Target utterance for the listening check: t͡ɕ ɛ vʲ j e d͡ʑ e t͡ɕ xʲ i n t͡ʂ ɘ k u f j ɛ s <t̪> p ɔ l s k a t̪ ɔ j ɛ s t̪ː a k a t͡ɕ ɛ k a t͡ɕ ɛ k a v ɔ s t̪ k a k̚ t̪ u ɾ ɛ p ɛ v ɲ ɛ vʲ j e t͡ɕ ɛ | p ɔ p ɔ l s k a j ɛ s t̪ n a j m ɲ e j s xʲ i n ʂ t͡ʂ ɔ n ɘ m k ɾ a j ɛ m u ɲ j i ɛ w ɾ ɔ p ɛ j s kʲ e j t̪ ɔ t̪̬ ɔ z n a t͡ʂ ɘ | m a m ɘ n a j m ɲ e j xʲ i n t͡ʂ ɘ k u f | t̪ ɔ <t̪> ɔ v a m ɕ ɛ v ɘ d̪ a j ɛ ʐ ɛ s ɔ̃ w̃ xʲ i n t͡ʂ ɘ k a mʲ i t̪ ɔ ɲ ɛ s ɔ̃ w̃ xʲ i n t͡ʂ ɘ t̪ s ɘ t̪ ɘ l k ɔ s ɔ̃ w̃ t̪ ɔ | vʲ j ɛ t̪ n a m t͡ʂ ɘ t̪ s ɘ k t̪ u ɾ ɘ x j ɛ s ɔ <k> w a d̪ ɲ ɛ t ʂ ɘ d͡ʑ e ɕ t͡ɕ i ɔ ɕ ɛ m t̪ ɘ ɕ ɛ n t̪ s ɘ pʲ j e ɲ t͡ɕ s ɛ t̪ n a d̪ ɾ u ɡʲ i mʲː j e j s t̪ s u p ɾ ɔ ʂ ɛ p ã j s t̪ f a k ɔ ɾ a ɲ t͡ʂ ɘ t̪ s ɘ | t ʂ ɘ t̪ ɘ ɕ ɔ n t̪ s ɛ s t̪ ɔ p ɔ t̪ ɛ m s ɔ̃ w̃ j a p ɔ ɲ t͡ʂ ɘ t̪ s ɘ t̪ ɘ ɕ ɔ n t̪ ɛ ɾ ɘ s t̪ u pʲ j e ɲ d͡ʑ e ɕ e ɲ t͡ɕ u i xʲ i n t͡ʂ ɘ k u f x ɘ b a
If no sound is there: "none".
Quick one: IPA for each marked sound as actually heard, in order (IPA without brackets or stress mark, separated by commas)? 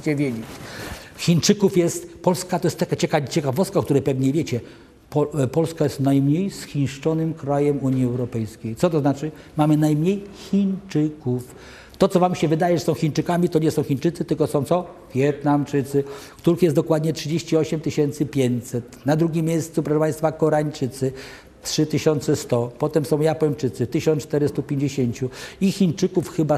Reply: t̪, t̪, k